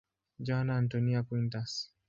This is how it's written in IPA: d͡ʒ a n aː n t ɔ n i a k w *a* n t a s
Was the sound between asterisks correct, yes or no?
no